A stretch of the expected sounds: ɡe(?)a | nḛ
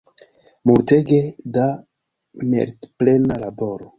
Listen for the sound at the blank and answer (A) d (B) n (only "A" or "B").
A